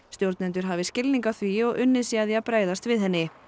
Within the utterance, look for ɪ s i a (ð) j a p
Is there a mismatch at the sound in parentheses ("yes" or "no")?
no